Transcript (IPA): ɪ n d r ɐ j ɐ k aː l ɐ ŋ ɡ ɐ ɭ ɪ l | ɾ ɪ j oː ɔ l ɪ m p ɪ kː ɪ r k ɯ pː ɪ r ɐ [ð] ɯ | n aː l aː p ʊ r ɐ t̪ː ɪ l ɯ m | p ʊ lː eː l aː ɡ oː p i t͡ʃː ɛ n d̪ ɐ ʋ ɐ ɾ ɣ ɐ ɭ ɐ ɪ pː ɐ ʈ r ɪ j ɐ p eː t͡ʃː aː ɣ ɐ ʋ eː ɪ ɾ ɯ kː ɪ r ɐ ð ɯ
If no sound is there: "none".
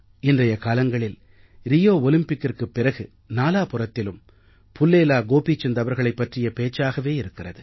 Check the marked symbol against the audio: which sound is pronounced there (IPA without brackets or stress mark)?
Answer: ɣ